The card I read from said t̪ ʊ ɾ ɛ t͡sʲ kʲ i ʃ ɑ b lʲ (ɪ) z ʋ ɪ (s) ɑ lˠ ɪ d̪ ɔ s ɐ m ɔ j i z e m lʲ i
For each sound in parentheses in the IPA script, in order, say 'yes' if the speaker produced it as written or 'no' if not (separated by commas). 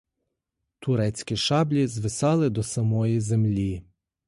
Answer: no, yes